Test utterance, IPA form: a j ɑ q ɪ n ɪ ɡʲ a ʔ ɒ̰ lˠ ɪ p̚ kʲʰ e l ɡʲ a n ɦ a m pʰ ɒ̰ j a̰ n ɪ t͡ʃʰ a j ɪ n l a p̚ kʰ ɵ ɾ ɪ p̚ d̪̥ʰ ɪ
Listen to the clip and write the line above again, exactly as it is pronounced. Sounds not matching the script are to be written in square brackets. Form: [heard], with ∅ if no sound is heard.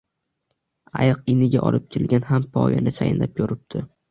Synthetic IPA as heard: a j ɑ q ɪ n ɪ ɡʲ a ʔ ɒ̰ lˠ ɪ p̚ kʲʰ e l ɡʲ a n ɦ a m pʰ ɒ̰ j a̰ n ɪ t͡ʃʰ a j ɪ n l a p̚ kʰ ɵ ɾ ɪ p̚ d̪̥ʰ ɪ